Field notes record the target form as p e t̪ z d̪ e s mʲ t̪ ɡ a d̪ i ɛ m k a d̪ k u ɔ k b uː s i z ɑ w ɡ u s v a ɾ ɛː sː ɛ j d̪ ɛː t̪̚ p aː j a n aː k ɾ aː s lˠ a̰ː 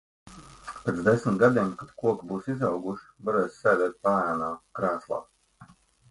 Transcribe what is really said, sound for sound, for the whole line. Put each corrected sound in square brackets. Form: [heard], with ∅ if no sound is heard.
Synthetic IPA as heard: p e t̪ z d̪ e s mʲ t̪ ɡ a d̪ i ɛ m k a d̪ k u ɔ k b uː s i z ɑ w ɡ u [ʃ] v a ɾ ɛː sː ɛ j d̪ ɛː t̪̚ p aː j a n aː k ɾ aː s lˠ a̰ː